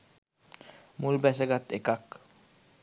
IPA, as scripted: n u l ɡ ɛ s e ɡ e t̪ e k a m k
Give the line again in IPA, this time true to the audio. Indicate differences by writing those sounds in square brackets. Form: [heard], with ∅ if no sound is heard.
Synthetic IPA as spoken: [m] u l [b] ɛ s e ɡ [a] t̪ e k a [∅] k